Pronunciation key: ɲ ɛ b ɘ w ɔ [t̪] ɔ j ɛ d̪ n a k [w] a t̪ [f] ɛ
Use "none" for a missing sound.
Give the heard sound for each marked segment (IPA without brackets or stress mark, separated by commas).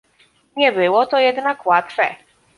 t̪, w, f